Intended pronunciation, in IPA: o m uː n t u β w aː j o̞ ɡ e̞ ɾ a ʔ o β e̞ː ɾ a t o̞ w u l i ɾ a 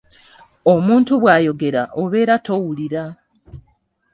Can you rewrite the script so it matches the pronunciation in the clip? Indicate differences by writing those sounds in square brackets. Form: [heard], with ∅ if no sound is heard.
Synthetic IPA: o m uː n t u β w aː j o̞ ɡ e̞ ɾ a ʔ o β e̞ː ɾ a t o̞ w u l i ɾ a